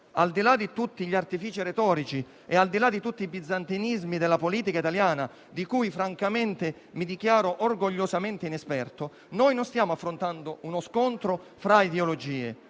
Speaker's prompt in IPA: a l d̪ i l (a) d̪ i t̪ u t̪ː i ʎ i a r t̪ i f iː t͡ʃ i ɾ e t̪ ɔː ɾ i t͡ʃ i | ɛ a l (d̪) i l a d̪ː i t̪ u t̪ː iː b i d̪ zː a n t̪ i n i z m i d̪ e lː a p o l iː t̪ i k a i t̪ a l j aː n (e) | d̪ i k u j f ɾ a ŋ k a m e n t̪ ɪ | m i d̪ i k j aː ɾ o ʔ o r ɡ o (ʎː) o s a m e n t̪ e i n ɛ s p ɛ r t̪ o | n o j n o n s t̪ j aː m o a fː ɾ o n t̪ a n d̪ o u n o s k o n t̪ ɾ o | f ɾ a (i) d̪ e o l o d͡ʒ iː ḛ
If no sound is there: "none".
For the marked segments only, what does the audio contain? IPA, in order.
a, d̪, a, ʎː, i

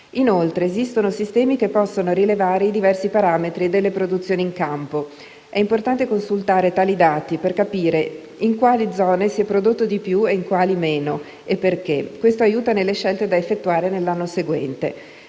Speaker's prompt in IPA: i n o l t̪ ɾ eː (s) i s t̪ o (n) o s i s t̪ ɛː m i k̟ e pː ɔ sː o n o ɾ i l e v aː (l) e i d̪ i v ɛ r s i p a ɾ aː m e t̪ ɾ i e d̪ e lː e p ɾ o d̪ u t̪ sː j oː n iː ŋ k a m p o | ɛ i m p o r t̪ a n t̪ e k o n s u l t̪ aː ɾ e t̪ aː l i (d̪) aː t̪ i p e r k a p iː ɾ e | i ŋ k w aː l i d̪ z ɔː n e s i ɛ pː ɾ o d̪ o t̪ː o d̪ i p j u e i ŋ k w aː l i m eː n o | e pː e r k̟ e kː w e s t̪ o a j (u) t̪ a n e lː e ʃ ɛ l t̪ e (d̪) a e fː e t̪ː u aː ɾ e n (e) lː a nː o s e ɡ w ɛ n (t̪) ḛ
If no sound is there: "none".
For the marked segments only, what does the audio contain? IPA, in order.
z, n, ɾ, d̪, uː, d̪, e, t̪

